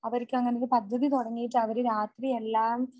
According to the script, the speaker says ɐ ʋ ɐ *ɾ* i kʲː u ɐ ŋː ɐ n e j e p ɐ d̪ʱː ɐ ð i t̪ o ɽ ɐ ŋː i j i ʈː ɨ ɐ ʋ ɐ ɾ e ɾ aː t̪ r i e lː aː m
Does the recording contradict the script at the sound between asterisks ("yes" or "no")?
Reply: no